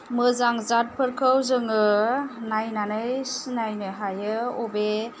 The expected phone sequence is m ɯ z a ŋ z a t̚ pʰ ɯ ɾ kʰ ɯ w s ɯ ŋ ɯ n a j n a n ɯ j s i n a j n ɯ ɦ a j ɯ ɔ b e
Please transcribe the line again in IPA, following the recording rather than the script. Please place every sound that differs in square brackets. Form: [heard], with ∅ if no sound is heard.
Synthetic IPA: m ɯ z a ŋ z a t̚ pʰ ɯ ɾ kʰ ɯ w [z] ɯ ŋ ɯ n a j n a n ɯ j s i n a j n ɯ ɦ a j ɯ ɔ b e